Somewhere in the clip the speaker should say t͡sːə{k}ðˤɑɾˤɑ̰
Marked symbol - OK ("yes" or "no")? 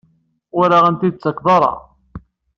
yes